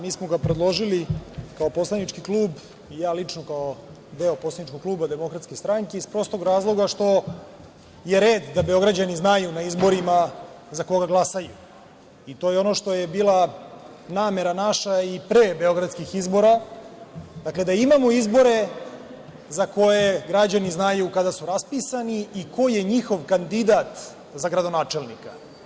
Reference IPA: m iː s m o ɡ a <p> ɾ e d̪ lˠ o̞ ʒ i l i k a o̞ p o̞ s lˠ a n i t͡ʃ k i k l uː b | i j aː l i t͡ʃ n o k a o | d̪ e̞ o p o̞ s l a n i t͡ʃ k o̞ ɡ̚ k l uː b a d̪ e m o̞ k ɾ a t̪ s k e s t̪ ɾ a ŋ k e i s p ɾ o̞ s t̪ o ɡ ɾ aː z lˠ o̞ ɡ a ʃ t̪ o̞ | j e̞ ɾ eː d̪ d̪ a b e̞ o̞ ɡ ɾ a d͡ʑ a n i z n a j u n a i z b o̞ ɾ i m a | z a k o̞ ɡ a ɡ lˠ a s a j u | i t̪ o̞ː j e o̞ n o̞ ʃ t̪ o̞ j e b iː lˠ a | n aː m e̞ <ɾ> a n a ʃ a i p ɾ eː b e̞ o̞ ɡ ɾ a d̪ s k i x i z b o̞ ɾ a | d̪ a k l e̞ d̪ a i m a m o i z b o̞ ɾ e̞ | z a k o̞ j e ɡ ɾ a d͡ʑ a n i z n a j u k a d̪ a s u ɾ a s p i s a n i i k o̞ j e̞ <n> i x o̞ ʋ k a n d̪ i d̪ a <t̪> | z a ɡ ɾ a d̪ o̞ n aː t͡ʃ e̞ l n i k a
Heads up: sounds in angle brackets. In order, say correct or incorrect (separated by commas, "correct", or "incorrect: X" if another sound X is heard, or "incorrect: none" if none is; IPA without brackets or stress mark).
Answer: correct, correct, incorrect: ɲ, correct